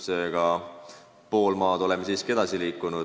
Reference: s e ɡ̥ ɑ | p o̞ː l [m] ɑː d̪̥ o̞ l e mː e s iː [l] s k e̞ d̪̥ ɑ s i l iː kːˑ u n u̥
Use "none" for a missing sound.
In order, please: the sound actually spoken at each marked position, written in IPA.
m, none

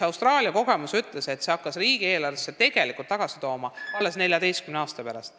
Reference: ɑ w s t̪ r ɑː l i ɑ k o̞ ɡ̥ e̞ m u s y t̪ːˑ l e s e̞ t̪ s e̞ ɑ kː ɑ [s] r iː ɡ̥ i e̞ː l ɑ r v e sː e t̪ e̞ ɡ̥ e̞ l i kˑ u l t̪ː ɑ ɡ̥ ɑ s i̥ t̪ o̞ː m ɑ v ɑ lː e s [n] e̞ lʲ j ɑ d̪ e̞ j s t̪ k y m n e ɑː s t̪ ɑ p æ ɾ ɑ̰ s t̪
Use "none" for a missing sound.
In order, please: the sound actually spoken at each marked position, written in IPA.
s, n

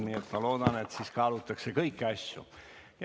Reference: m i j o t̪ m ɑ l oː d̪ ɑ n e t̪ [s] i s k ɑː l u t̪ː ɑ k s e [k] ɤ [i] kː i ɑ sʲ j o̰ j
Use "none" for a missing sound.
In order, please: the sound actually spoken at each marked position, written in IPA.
s, k, i

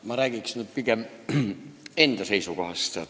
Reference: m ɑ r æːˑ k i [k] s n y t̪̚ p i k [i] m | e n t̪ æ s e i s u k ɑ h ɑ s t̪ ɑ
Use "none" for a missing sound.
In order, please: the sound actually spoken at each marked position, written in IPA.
k, e

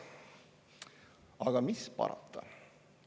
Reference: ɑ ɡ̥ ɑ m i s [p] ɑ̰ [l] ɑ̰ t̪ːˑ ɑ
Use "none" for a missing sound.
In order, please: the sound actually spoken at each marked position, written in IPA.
p, ɾ

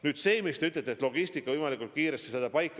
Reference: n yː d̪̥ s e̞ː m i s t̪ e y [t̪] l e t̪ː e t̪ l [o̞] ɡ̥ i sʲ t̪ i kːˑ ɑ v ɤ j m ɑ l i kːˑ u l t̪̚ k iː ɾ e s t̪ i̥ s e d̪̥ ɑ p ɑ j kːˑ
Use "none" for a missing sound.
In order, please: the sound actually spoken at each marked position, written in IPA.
t̪, o̞

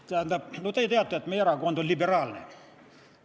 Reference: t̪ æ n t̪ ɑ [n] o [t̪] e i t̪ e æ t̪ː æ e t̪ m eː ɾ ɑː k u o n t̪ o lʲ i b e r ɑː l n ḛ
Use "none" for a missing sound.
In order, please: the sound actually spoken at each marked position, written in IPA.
n, t̪

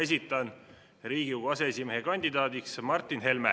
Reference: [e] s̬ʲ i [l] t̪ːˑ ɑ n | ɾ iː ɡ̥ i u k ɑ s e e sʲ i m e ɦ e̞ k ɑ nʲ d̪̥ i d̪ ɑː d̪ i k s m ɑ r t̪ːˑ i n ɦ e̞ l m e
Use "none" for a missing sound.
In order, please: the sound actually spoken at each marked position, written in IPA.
e, none

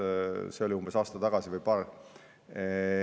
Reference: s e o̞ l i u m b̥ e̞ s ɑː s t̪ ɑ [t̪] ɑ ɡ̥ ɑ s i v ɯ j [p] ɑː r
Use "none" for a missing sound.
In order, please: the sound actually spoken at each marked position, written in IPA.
t̪, p

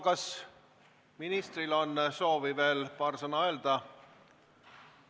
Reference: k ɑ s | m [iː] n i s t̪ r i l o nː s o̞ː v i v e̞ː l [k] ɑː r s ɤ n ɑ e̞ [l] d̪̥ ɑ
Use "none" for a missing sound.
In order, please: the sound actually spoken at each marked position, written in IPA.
i, p, l

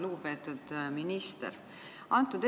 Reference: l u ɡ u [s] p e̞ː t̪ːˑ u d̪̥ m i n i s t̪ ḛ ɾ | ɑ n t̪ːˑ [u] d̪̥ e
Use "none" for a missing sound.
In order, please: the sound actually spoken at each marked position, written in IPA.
none, u

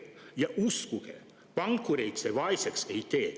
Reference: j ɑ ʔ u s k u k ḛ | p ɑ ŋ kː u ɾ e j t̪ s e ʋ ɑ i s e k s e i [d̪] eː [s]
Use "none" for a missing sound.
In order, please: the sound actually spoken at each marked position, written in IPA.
t̪, none

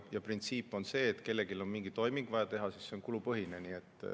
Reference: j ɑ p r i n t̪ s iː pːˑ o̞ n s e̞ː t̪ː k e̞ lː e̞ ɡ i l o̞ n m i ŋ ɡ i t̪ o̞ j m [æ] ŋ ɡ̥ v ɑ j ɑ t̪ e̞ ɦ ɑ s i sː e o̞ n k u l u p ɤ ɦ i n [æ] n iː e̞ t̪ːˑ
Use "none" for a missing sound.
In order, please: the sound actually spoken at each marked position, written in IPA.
i, e

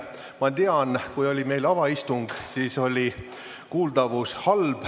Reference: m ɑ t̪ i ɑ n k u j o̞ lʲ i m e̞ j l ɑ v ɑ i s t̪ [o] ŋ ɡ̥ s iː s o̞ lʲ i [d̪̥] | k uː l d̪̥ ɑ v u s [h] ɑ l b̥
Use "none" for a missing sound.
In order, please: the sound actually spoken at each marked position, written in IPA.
u, none, h

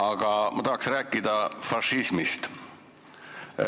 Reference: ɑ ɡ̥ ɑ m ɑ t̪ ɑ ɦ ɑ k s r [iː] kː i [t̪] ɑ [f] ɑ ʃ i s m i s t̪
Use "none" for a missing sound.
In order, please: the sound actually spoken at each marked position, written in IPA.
æː, d̪, f

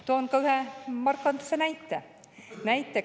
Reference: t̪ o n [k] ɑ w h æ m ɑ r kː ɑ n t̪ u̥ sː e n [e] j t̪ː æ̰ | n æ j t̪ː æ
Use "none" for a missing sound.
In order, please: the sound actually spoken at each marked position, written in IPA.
k, æ

